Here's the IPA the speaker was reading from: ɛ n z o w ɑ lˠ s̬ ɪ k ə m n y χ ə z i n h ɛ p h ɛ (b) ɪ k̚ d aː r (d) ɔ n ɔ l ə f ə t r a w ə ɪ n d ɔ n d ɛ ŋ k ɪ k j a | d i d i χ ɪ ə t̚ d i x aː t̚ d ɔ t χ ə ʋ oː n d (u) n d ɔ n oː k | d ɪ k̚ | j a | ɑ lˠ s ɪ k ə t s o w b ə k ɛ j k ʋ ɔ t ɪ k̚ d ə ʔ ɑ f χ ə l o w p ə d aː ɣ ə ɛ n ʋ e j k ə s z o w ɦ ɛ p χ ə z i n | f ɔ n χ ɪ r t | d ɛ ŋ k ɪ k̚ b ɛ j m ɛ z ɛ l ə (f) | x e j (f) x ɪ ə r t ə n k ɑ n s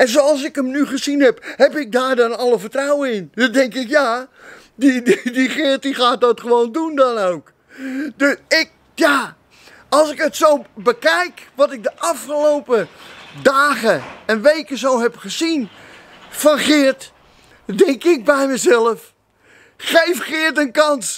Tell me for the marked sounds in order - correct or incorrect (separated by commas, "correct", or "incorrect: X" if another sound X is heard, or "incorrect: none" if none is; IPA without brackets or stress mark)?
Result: incorrect: p, correct, correct, correct, correct